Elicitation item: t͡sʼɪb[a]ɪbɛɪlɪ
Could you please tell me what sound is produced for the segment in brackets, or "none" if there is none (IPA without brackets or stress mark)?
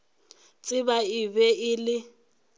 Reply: a